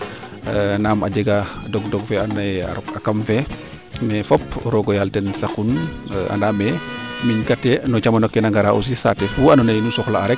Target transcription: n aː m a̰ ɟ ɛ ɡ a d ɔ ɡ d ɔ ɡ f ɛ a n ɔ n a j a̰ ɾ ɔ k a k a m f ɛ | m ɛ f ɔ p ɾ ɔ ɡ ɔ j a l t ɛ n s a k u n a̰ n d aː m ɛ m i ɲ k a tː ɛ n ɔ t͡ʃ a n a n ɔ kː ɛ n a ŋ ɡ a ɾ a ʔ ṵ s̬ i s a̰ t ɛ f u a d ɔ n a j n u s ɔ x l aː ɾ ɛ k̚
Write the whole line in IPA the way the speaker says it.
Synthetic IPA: n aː m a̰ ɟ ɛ ɡ a d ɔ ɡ d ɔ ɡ f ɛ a n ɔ n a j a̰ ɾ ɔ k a k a m f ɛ | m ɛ f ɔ p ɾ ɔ ɡ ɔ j a l t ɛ n s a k u n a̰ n d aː m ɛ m i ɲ k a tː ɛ n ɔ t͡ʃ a m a n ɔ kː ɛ n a ŋ ɡ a ɾ a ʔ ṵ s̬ i s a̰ t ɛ f u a n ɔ n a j n u s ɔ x l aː ɾ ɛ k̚